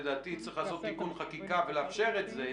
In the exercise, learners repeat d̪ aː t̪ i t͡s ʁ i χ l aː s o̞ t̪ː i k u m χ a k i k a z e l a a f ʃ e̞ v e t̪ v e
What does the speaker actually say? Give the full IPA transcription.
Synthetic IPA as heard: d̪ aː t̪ i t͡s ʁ i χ l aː s o̞ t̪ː i k u n χ a k i k a v e l e a f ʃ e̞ ʁ e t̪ z e